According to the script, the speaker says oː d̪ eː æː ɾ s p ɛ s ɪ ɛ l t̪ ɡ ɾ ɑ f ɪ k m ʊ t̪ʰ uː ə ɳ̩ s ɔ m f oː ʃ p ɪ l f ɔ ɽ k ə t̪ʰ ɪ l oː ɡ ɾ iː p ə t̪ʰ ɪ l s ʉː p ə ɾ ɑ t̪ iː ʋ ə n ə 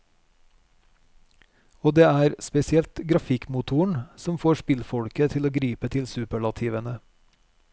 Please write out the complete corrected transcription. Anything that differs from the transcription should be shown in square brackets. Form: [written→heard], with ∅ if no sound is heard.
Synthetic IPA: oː d̪ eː æː ɾ s p ɛ s ɪ ɛ l t̪ ɡ ɾ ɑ f ɪ k m ʊ t̪ʰ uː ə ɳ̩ s ɔ m f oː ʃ p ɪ l f ɔ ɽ k ə t̪ʰ ɪ l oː ɡ ɾ iː p ə t̪ʰ ɪ l s ʉː p ə [ɾ→ɭ] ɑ [t̪→t̪ʰ] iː ʋ ə n ə